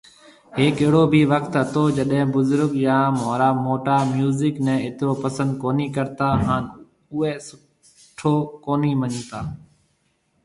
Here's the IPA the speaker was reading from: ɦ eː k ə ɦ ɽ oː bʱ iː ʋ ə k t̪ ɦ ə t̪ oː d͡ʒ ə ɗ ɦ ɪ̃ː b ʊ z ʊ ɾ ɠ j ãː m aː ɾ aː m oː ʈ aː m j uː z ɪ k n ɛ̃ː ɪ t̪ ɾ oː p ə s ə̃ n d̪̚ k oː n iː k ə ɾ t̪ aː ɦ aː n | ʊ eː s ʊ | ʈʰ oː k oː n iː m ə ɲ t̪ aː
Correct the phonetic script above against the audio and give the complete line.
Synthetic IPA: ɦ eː k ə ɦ ɽ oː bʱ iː ʋ ə k t̪ ɦ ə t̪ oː d͡ʒ ə ɗ ɦ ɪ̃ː b ʊ z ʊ ɾ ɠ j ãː m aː ɾ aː m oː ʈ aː m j uː z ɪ k n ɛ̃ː ɪ t̪ ɾ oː p ə s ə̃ n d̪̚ k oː n iː k ə ɾ t̪ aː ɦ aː n | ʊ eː s ʊ | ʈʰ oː k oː n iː m ə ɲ t̪ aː